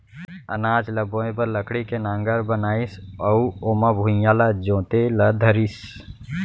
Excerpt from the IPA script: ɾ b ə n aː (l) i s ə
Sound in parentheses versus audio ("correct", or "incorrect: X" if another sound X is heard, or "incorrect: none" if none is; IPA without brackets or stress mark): incorrect: none